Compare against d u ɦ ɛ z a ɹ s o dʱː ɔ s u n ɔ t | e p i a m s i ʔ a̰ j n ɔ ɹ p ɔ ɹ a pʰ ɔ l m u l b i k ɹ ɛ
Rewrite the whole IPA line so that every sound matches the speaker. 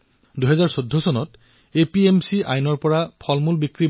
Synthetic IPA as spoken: d u ɦ ɛ z a ɹ s o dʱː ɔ s ɔ n ɔ t | e p i e m s i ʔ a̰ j n ɔ ɹ p ɔ ɹ a pʰ ɔ l m u l b i k ɹ i